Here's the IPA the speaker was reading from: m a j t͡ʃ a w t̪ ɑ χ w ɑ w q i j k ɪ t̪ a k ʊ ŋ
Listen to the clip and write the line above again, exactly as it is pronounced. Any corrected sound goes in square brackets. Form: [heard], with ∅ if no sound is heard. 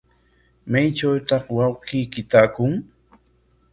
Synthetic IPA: m a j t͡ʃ a w t̪ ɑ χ w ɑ w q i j k ɪ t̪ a k ʊ ŋ

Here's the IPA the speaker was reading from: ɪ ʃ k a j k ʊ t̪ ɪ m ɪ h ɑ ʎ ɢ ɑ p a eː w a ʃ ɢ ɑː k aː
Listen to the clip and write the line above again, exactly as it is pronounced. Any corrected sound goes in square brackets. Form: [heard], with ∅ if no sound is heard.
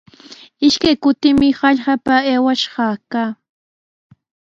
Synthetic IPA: ɪ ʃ k a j k ʊ t̪ ɪ m ɪ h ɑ ʎ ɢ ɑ p a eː w a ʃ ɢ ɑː k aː

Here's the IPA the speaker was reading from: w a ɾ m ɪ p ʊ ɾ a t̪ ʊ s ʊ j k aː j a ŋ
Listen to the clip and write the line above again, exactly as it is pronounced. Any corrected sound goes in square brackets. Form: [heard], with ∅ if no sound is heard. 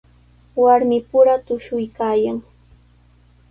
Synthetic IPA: w a ɾ m ɪ p ʊ ɾ a t̪ ʊ [ʃ] ʊ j k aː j a ŋ

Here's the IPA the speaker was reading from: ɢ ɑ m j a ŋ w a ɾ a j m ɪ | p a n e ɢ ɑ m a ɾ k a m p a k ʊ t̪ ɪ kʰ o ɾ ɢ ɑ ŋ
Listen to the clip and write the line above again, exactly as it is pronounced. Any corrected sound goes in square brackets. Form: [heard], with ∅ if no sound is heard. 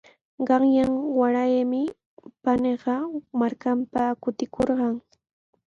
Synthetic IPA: ɢ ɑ [ŋ] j a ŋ w a ɾ a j m ɪ | p a n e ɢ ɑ m a ɾ k a m p a k ʊ t̪ ɪ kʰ o ɾ ɢ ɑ ŋ

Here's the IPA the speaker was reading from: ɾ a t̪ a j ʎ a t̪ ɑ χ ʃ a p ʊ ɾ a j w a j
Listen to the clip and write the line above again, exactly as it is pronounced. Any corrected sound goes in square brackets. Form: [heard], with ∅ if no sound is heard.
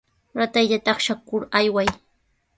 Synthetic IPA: ɾ a t̪ a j ʎ a t̪ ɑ χ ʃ a [k] ʊ ɾ a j w a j

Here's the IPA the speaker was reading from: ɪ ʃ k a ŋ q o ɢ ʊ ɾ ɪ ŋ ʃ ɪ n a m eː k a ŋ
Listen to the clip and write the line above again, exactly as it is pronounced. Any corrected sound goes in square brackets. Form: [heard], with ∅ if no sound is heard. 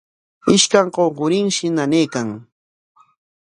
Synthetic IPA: ɪ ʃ k a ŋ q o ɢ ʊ ɾ ɪ ŋ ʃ ɪ n a [n] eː k a ŋ

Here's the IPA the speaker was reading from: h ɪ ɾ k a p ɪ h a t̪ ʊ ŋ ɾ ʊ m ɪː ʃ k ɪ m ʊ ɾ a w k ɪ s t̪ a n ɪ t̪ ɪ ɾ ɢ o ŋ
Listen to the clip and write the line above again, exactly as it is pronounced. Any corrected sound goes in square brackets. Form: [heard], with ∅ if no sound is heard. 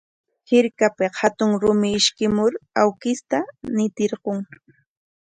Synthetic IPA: h ɪ ɾ k a p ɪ h a t̪ ʊ ŋ ɾ ʊ m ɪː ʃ k ɪ m ʊ ɾ a w k ɪ s t̪ a n ɪ t̪ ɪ ɾ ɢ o ŋ

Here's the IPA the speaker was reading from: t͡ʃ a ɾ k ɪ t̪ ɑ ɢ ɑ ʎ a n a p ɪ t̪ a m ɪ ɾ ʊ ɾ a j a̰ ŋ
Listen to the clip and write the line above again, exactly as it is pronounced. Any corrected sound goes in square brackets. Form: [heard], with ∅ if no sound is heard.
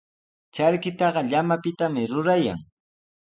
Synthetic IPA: t͡ʃ a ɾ k ɪ t̪ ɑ ɢ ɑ ʎ a [m] a p ɪ t̪ a m ɪ ɾ ʊ ɾ a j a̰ ŋ

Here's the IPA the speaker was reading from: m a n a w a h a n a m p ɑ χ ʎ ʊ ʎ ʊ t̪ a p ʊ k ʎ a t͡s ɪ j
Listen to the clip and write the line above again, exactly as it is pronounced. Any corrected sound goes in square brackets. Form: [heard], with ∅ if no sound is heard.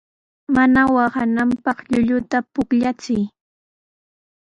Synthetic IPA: m a n a w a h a n a m p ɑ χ ʎ ʊ ʎ ʊ t̪ a p ʊ k ʎ a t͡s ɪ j

